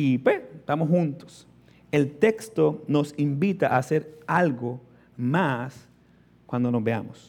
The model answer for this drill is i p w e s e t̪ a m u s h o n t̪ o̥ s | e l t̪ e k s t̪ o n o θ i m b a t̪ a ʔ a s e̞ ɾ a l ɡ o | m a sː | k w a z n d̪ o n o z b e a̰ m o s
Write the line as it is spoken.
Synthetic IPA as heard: i p w e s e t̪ a m o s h u n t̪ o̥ s | e l t̪ e k s t̪ o n o s i m b i t̪ a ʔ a s e̞ ɾ a l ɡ o | m a s | k w a n d̪ o n o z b e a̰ m o s